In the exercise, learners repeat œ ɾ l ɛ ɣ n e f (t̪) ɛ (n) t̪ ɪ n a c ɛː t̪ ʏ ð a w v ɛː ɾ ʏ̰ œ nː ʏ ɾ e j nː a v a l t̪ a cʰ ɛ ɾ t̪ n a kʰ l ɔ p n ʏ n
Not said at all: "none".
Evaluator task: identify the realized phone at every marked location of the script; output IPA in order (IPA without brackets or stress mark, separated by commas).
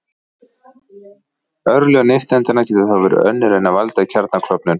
t̪, n